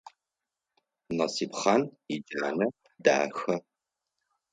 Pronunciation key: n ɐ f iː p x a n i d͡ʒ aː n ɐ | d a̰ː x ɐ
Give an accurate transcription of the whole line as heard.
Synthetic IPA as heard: n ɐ s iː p χ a n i d͡ʒ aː n ɐ | d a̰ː x ɐ